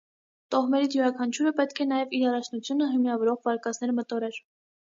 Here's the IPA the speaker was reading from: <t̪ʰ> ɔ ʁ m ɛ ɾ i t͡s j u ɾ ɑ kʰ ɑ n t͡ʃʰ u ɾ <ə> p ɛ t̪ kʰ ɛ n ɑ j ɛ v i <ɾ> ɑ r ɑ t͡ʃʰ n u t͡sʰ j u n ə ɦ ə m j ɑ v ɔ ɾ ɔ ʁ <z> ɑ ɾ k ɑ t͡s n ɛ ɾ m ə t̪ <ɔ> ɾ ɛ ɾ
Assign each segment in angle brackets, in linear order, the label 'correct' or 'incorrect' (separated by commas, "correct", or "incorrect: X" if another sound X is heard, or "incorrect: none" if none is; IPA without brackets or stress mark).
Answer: incorrect: t̪, correct, correct, incorrect: v, correct